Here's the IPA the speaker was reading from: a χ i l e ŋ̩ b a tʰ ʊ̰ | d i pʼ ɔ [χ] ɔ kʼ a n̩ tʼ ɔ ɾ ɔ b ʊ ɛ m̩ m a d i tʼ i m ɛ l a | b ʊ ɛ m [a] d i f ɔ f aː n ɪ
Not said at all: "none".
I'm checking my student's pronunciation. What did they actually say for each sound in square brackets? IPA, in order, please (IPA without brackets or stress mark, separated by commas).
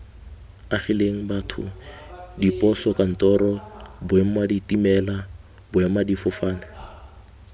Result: s, a